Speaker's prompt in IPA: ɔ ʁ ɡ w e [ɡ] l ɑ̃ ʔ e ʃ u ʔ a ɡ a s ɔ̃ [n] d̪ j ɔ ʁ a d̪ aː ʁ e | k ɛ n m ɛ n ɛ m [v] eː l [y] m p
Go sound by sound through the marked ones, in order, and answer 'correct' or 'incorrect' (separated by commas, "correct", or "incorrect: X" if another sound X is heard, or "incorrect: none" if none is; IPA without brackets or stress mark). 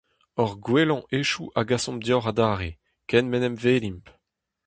incorrect: none, incorrect: m, correct, incorrect: i